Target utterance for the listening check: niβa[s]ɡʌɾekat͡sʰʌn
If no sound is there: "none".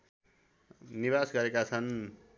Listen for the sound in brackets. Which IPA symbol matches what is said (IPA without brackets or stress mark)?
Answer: s